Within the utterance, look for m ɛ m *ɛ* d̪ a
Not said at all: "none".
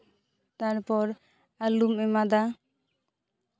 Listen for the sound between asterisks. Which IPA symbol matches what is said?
a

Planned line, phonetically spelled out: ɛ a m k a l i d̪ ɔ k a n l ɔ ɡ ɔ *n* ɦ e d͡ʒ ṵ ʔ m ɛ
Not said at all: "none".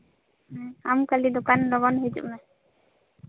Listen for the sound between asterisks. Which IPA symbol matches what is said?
n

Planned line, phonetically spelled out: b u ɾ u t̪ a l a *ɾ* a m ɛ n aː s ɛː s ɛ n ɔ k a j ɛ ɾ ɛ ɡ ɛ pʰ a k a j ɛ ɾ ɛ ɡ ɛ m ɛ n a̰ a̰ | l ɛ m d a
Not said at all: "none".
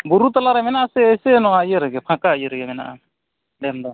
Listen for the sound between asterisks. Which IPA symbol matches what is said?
ɾ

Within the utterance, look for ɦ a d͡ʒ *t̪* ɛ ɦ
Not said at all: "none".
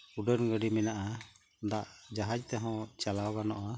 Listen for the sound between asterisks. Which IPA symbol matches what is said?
t̪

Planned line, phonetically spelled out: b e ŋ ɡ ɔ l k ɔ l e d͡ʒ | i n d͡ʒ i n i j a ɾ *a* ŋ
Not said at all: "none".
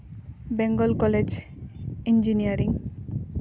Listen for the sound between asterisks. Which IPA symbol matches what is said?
i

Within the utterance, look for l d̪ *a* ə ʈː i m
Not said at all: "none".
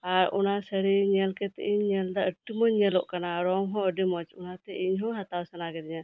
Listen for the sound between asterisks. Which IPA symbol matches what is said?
a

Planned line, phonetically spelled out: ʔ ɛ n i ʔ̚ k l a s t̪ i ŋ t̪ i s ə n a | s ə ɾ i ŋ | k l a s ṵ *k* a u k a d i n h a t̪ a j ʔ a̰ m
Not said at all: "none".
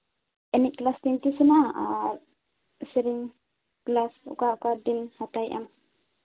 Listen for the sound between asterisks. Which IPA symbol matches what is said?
k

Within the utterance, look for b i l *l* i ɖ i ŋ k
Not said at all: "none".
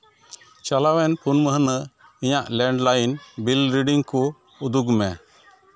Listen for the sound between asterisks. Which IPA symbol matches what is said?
ɾ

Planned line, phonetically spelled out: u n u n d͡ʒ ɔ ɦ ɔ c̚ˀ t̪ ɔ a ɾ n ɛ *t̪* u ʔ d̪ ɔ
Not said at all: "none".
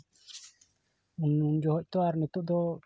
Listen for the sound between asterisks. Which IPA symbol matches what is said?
t̪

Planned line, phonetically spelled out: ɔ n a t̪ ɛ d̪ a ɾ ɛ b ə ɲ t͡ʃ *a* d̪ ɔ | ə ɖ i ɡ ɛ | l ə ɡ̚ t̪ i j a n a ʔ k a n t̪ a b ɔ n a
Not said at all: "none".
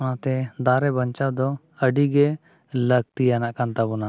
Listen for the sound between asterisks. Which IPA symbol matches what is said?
a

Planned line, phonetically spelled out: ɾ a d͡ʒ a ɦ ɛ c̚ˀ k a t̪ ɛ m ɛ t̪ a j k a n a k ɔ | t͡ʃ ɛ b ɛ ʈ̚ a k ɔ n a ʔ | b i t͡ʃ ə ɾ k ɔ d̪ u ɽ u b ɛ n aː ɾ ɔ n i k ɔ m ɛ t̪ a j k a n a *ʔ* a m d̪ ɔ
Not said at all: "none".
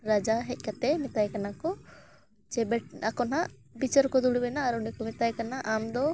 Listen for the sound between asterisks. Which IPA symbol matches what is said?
ʔ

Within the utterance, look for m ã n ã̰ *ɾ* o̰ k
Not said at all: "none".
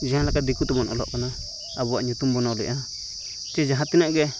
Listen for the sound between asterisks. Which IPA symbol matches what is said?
l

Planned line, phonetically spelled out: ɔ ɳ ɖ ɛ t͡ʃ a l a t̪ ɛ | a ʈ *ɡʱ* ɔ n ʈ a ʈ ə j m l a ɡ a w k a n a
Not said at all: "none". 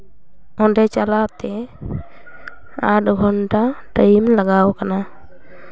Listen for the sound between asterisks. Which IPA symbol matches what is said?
ɡʱ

